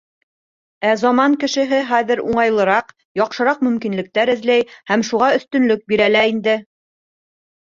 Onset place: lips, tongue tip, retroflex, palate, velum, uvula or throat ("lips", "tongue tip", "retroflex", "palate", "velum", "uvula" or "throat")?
tongue tip